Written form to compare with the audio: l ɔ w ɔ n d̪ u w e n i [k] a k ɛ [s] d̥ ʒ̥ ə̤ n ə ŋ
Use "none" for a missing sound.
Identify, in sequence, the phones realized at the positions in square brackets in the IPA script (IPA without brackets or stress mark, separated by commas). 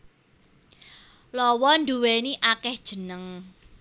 ʔ, h